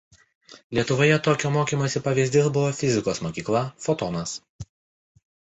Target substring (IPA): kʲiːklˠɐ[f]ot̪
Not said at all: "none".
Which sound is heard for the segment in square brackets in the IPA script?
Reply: f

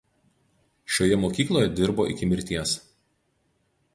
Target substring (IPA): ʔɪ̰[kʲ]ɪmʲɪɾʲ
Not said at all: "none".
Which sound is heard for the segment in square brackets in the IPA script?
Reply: kʲ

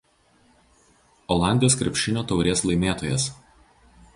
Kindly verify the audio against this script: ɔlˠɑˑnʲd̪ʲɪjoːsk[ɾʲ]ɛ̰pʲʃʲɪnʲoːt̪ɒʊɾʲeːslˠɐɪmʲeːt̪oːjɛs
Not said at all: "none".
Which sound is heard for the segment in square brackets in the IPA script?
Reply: ɾʲ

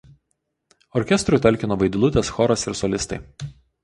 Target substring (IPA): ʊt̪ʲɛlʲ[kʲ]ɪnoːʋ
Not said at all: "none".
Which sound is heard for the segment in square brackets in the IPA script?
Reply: kʲ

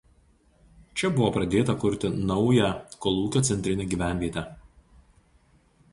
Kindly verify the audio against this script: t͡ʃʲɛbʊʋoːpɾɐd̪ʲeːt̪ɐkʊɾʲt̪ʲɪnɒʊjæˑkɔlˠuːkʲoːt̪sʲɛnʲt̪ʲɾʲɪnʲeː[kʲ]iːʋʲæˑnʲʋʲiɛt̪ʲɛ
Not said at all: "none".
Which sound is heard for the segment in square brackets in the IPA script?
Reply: ɡʲ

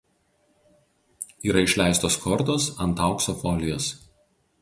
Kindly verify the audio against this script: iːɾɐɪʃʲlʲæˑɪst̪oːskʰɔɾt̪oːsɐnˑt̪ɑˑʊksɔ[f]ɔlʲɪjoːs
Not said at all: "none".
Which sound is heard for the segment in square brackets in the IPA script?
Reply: f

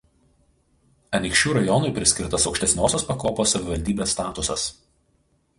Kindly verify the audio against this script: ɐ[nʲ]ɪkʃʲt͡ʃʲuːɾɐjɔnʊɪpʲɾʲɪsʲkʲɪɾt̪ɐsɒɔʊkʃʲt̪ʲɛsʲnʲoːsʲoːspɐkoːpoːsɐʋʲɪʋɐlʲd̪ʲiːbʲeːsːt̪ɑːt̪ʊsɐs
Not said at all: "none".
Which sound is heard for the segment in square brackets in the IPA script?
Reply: nʲ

